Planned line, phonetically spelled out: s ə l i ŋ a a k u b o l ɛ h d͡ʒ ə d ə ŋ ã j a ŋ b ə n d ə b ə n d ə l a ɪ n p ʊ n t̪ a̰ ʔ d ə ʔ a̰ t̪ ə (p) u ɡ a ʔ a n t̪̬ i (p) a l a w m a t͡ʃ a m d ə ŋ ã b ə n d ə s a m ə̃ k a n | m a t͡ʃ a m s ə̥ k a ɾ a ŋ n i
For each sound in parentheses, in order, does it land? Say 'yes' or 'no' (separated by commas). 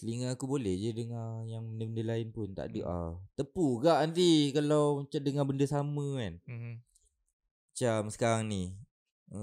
yes, no